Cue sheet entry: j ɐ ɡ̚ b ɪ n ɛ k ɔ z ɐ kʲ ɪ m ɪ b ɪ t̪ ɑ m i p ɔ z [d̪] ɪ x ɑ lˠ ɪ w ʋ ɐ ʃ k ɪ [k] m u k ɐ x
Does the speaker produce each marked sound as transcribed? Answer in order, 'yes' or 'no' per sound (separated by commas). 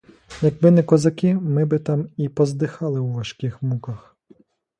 yes, no